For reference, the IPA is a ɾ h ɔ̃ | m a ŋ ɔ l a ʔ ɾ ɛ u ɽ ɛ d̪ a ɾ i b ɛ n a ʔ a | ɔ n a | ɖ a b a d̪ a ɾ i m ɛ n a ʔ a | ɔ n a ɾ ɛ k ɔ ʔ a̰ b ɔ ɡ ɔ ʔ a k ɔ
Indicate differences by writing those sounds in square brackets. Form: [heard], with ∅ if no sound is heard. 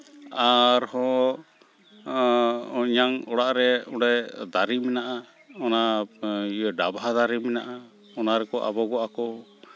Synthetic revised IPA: a ɾ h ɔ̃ | [ɲ] a ŋ ɔ [ɽ] a ʔ ɾ ɛ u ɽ ɛ d̪ a ɾ i [m] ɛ n a ʔ a | ɔ n a | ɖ a b a d̪ a ɾ i m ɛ n a ʔ a | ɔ n a ɾ ɛ k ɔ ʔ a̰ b ɔ ɡ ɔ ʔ a k ɔ